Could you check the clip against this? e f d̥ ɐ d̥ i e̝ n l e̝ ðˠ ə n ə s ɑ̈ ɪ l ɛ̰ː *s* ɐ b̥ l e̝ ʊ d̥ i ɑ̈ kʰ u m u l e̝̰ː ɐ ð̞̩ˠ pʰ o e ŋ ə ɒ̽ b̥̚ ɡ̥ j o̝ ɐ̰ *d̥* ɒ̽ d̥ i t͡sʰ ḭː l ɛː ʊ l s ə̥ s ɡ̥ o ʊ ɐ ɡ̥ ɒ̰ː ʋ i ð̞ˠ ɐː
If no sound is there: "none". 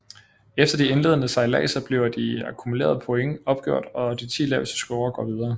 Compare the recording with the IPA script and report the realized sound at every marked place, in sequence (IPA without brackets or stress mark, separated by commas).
s, d̥